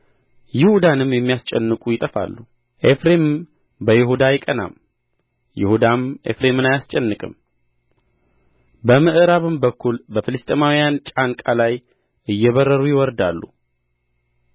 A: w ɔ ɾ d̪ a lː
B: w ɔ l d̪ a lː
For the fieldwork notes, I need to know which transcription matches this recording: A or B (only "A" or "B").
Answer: A